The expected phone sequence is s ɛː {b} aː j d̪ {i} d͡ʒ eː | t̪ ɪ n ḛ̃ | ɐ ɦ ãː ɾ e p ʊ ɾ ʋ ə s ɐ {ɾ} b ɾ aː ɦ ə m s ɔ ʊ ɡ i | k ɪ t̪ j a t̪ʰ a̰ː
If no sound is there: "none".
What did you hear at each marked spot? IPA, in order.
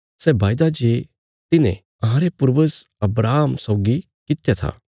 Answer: b, a, none

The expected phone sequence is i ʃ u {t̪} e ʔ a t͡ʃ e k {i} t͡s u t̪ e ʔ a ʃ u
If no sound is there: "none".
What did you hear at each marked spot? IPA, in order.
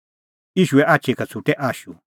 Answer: none, a

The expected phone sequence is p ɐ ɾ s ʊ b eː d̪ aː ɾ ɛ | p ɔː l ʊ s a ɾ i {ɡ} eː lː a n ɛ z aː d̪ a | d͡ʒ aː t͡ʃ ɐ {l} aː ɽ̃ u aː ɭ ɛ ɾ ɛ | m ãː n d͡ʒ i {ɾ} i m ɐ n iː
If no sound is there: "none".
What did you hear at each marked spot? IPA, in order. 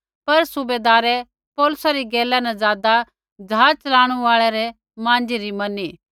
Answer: ɡ, l, ɾ

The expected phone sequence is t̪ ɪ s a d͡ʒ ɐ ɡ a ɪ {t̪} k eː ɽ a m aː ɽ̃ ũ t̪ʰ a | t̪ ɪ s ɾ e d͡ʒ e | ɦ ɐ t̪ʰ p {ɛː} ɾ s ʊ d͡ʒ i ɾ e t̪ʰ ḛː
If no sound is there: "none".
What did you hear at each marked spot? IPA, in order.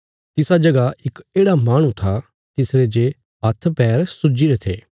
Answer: none, ɛː

